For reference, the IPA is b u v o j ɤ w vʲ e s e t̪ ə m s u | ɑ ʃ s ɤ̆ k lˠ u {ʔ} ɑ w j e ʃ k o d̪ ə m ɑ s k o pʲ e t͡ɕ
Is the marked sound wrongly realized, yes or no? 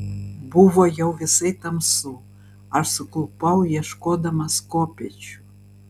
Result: yes